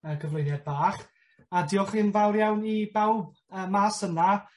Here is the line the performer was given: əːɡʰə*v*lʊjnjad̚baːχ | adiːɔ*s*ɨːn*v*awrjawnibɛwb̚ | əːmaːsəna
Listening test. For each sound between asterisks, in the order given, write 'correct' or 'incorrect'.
correct, incorrect, correct

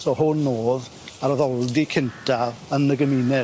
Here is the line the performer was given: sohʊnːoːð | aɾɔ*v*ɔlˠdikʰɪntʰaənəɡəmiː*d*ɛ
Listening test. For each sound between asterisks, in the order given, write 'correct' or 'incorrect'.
incorrect, incorrect

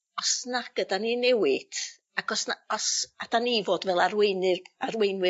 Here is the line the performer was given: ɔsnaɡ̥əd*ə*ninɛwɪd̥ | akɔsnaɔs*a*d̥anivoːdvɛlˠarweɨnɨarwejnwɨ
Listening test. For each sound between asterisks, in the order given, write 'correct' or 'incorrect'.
incorrect, correct

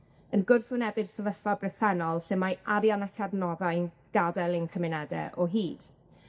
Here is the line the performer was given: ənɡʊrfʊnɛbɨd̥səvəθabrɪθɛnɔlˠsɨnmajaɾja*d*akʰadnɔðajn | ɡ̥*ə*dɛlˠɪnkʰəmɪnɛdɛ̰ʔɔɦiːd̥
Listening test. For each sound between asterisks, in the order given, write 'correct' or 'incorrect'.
incorrect, incorrect

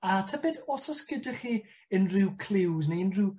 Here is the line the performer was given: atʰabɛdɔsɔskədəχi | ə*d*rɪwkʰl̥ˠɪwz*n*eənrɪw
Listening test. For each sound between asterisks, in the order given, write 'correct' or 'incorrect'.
incorrect, correct

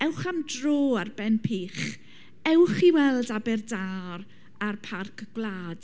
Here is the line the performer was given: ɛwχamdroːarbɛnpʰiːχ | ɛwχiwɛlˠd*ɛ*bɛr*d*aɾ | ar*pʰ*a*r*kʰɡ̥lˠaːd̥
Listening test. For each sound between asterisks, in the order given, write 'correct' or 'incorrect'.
incorrect, correct, correct, correct

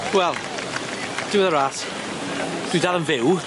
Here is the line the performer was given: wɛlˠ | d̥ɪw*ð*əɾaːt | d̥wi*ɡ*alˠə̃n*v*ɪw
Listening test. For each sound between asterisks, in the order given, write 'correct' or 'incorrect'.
correct, incorrect, correct

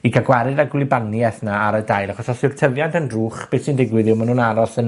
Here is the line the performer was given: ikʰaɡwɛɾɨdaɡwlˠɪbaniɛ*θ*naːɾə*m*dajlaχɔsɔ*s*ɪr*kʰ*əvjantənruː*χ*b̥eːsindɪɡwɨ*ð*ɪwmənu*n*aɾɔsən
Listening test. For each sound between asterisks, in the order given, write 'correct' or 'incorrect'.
correct, incorrect, correct, incorrect, correct, correct, correct

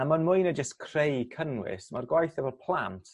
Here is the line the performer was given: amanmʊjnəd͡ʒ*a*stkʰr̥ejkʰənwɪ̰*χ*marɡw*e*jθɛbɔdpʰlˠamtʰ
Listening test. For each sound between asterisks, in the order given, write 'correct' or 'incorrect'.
incorrect, incorrect, incorrect

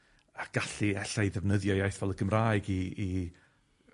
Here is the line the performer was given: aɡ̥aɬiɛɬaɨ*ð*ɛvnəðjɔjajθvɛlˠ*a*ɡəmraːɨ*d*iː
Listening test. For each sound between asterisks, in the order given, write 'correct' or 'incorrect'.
correct, incorrect, incorrect

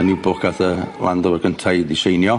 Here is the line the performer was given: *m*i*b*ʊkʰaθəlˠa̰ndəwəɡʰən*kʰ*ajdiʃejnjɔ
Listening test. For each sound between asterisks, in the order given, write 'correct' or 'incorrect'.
incorrect, correct, incorrect

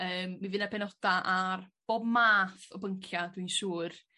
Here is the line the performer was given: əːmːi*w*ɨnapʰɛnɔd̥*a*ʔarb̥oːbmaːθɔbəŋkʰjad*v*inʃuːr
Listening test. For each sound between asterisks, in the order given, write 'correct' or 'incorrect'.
incorrect, correct, incorrect

